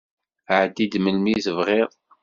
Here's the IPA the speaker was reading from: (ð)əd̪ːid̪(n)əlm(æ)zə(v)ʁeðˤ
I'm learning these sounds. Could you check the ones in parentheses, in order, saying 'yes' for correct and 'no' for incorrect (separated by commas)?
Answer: no, no, no, yes